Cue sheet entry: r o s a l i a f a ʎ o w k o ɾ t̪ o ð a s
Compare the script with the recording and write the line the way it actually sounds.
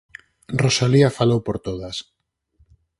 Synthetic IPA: r o s a l i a f a l o w p o ɾ t̪ o ð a s